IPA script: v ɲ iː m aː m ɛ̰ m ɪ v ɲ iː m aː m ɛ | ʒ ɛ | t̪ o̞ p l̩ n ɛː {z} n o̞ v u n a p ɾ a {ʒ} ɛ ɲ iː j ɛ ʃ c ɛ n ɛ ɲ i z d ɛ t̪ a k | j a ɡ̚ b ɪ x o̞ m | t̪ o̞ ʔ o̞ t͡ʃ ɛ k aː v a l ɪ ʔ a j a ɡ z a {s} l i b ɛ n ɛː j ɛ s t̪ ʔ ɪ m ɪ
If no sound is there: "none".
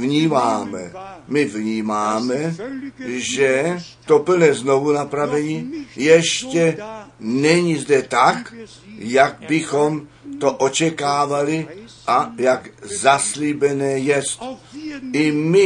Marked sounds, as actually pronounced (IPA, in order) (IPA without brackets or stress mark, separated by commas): z, v, s